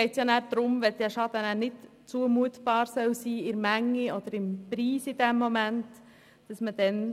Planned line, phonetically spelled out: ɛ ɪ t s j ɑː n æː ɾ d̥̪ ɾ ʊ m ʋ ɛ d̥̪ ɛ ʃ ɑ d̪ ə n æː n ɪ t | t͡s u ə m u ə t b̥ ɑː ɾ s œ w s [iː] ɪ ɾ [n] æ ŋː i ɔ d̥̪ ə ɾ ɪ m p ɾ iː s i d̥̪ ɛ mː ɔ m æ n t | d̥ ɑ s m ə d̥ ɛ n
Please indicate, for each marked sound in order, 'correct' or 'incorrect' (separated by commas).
correct, incorrect